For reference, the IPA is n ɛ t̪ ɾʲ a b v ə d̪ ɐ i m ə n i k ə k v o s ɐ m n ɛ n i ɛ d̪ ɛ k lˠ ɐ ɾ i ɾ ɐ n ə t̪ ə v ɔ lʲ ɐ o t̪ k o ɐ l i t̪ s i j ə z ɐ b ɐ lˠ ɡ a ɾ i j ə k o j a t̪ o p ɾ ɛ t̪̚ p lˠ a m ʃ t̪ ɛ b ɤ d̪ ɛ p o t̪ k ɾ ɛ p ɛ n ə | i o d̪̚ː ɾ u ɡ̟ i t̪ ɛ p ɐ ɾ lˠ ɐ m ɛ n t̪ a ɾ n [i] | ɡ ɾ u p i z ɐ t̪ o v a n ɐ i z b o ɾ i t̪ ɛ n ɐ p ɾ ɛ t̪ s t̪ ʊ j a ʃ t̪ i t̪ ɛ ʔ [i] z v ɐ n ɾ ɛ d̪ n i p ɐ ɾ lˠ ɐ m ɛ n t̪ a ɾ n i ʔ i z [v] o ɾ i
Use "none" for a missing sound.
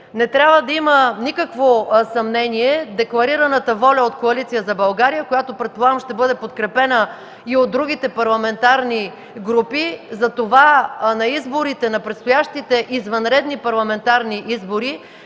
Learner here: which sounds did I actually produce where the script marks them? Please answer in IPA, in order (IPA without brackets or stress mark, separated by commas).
i, i, b